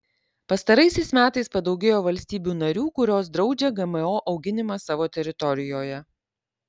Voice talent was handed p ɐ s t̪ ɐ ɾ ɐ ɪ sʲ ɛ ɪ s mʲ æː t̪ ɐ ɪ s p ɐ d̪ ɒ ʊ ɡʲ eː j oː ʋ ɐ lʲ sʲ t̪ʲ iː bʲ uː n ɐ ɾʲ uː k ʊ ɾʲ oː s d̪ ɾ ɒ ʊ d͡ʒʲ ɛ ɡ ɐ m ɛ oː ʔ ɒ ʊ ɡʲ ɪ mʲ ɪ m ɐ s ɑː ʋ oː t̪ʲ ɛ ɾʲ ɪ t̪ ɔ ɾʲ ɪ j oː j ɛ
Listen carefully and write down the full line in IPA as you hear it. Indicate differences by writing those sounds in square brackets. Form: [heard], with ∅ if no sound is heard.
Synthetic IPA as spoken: p ɐ s t̪ ɐ ɾ ɐ ɪ sʲ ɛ ɪ s mʲ æː t̪ ɐ ɪ s p ɐ d̪ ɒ ʊ ɡʲ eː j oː ʋ ɐ lʲ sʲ t̪ʲ iː bʲ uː n ɐ ɾʲ uː k ʊ ɾʲ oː s d̪ ɾ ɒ ʊ d͡ʒʲ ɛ ɡ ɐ m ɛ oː ʔ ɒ ʊ ɡʲ ɪ [nʲ] ɪ m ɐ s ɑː ʋ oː t̪ʲ ɛ ɾʲ ɪ t̪ ɔ ɾʲ ɪ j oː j ɛ

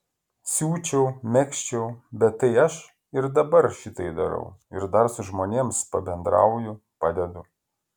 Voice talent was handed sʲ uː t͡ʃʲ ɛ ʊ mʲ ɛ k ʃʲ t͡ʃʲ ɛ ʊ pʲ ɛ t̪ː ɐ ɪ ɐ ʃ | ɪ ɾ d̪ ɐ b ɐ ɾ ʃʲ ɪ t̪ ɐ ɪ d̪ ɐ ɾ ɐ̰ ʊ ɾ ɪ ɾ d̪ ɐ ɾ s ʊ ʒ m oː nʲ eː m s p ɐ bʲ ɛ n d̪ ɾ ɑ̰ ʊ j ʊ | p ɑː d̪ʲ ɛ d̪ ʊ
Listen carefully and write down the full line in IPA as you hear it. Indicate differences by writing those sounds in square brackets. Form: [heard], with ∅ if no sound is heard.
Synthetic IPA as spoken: sʲ uː t͡ʃʲ ɛ ʊ mʲ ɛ k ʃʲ t͡ʃʲ ɛ ʊ [bʲ] ɛ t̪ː ɐ ɪ ɐ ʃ | ɪ ɾ d̪ ɐ b ɐ ɾ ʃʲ ɪ t̪ ɐ ɪ d̪ ɐ ɾ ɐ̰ ʊ [∅] ɪ ɾ d̪ ɐ ɾ s ʊ ʒ m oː nʲ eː m s p ɐ bʲ ɛ n d̪ ɾ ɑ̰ ʊ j ʊ | p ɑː d̪ʲ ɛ d̪ ʊ

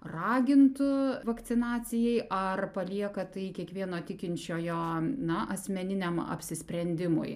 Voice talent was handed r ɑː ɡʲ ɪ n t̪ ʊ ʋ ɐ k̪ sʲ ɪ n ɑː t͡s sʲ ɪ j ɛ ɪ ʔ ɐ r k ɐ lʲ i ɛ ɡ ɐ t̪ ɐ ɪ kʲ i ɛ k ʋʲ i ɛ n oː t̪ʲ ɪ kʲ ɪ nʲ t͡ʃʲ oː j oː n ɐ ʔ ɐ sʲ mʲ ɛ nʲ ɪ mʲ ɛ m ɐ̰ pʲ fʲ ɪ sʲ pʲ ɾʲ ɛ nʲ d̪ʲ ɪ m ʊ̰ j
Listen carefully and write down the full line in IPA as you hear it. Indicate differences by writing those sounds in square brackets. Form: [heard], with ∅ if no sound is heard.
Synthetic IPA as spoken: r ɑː ɡʲ ɪ n t̪ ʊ ʋ ɐ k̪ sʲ ɪ n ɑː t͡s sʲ ɪ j ɛ ɪ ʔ ɐ r [p] ɐ lʲ i ɛ [k] ɐ t̪ ɐ ɪ kʲ i ɛ k ʋʲ i ɛ n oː t̪ʲ ɪ kʲ ɪ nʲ t͡ʃʲ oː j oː n ɐ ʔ ɐ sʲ mʲ ɛ nʲ ɪ [nʲ] ɛ m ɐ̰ pʲ [sʲ] ɪ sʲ pʲ ɾʲ ɛ nʲ d̪ʲ ɪ m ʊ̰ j

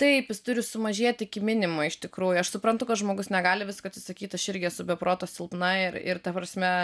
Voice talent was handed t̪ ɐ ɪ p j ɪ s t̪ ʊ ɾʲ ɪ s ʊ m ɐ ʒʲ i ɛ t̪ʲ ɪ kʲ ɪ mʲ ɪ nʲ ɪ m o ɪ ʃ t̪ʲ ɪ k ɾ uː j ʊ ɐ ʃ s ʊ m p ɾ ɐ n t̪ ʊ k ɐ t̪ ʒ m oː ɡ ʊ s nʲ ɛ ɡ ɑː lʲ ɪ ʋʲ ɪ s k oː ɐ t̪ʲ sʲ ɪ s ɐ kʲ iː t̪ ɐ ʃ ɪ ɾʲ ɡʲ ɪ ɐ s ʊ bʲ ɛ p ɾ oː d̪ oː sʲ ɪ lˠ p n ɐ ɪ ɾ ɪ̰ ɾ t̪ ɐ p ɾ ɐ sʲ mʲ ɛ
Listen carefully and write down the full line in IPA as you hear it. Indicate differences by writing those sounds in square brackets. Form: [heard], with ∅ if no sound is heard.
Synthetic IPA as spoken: t̪ ɐ ɪ p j ɪ s t̪ ʊ ɾʲ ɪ s ʊ m ɐ ʒʲ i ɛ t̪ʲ ɪ kʲ ɪ mʲ ɪ nʲ ɪ m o ɪ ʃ t̪ʲ ɪ k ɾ uː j ʊ ɐ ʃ s ʊ [∅] p ɾ ɐ n t̪ ʊ k ɐ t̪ ʒ m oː ɡ ʊ s nʲ ɛ ɡ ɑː lʲ ɪ ʋʲ ɪ s k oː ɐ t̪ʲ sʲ ɪ s ɐ kʲ iː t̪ ɐ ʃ ɪ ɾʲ ɡʲ ɪ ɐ s ʊ bʲ ɛ p ɾ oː [t̪] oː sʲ ɪ lˠ p n ɐ ɪ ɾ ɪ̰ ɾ t̪ ɐ p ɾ ɐ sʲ mʲ ɛ

